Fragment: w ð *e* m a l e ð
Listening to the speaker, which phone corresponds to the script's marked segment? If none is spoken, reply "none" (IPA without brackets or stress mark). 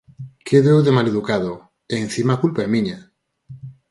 e